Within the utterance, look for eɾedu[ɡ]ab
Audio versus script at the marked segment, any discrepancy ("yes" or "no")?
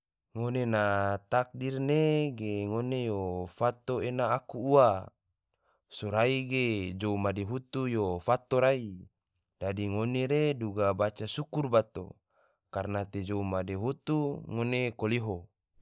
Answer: no